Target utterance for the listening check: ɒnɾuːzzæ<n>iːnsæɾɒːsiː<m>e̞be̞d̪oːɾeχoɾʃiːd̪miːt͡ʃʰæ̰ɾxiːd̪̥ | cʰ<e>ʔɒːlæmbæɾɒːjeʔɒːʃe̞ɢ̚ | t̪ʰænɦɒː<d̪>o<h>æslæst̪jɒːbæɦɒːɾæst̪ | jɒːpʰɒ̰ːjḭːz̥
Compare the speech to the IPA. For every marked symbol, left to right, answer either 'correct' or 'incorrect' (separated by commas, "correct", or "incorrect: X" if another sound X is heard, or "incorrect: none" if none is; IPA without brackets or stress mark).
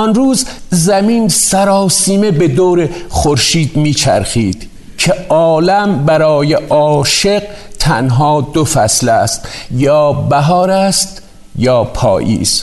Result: incorrect: m, correct, correct, correct, incorrect: f